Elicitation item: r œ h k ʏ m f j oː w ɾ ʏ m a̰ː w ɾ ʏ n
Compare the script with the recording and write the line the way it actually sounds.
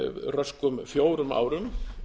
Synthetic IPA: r œ s k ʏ m f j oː w ɾ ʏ m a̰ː w ɾ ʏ m